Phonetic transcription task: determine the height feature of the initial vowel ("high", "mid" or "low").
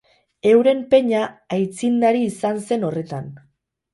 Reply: mid